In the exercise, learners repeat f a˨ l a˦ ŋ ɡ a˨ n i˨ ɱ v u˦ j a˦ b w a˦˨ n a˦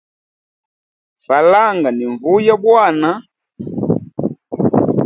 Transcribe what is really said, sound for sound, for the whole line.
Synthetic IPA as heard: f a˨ l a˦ ŋ ɡ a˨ n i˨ ɱ v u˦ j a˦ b w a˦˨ n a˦